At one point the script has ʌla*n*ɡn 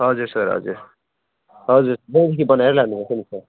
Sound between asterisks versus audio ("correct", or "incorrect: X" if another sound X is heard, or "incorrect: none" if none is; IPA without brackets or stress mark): incorrect: none